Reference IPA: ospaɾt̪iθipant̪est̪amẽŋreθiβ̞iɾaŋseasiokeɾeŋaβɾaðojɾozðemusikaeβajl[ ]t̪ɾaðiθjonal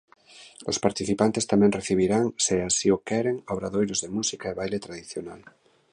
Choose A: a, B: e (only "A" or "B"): B